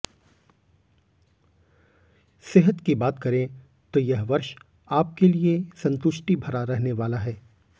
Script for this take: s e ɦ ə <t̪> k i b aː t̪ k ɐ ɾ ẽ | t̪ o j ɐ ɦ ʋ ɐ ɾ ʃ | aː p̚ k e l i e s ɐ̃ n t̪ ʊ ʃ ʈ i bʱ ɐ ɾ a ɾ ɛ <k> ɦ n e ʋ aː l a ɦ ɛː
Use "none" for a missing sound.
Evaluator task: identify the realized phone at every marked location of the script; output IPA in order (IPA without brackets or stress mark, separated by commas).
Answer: t̪, none